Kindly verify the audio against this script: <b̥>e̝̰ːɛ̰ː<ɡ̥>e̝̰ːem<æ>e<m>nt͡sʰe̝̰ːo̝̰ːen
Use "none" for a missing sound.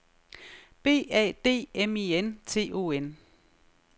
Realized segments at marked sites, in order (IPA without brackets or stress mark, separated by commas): b̥, d̥, i, none